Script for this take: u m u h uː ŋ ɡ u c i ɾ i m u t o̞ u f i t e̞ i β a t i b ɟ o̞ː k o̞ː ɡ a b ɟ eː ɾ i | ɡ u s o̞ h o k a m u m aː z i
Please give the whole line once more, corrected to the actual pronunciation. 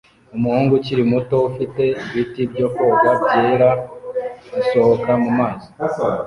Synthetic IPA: u m u h uː ŋ ɡ u c i ɾ i m u t o̞ u f i t e̞ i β i t i b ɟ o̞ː k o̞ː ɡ a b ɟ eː ɾ a | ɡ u s o̞ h o k a m u m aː z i